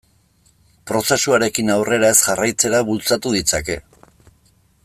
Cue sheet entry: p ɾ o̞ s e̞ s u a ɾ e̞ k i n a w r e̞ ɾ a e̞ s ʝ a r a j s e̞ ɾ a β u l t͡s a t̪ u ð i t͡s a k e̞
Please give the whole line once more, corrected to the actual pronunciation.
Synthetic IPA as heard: p ɾ o̞ s e̞ s u a ɾ e̞ k i n a w r e̞ ɾ a e̞ s ʝ a r a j t͡s e̞ ɾ a β u l t͡s a t̪ u ð i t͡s a k e̞